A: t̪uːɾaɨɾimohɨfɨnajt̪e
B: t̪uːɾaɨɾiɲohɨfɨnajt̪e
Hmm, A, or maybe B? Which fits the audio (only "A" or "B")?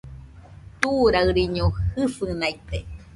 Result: B